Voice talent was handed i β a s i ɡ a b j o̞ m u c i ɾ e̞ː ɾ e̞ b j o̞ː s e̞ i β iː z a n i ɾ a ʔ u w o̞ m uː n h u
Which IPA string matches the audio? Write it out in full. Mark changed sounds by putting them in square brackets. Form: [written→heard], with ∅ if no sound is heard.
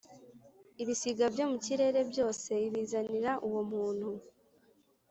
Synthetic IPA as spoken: i β [a→i] s i ɡ a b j o̞ m u c i ɾ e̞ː ɾ e̞ b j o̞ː s e̞ i β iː z a n i ɾ a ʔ u w o̞ m uː n h u